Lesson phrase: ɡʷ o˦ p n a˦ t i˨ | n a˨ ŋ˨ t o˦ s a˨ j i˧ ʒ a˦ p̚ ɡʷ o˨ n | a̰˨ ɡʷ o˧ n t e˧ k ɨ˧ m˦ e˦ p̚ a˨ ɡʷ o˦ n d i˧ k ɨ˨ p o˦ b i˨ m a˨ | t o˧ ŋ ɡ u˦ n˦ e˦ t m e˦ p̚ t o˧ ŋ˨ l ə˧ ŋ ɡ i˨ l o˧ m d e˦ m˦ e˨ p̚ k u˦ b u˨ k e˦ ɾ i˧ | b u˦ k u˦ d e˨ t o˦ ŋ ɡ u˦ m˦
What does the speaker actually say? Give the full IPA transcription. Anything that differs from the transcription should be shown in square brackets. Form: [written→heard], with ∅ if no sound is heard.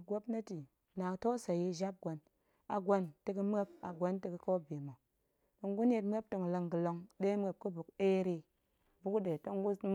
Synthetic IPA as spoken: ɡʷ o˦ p n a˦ t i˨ | n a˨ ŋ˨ t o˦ s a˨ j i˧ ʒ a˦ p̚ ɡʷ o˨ n | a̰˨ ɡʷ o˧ n t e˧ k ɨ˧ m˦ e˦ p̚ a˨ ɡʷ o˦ n [d→t] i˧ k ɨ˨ [p→k] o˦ b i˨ m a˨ | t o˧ ŋ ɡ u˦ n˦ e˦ t m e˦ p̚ t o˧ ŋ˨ l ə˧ ŋ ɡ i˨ l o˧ [m→ŋ] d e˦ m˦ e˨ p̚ k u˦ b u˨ k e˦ ɾ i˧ | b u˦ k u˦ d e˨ t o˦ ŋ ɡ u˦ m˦